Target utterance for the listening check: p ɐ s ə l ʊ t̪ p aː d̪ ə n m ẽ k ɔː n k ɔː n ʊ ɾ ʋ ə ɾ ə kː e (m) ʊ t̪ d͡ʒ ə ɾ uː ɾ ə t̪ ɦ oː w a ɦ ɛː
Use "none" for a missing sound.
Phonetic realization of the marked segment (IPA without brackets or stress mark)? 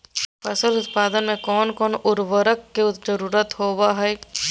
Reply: none